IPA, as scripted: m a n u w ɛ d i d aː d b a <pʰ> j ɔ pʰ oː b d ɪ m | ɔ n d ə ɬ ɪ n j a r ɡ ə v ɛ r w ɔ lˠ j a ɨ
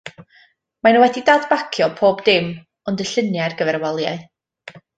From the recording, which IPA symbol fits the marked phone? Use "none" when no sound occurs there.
kʰ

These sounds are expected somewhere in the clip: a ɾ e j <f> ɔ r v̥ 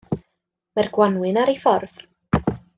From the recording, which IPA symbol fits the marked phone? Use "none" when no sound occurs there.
f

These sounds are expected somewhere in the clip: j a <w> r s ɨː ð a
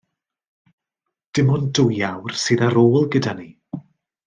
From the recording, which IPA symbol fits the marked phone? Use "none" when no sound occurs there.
w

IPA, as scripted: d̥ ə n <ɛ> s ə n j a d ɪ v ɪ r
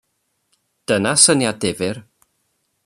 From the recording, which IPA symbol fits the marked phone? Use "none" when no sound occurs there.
a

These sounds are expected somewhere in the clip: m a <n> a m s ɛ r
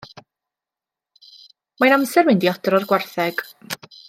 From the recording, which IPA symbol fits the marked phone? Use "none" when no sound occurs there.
n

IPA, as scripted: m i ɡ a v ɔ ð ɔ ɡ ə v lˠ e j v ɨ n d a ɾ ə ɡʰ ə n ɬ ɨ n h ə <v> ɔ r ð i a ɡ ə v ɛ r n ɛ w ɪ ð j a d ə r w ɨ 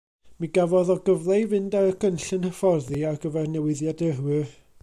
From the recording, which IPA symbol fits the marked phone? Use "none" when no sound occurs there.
f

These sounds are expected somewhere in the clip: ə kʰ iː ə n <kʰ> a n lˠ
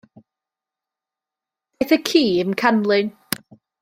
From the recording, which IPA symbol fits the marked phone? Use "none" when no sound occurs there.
kʰ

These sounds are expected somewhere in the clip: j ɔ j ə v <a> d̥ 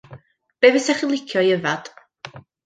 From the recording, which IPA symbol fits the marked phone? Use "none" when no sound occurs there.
a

